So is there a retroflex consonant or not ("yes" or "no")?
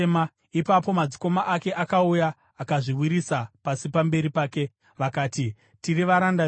yes